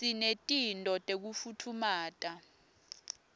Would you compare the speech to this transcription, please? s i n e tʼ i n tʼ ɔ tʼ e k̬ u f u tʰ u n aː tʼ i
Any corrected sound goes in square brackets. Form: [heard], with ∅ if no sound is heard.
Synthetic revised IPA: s i n e tʼ i n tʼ ɔ tʼ e k̬ u f u tʰ u [m] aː tʼ [a]